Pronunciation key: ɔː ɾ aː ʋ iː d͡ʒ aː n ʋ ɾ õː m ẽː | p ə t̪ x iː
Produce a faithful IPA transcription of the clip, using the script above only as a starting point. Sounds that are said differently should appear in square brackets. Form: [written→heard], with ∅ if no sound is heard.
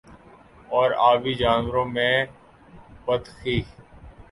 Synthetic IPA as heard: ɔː ɾ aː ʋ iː d͡ʒ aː n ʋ ɾ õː m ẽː | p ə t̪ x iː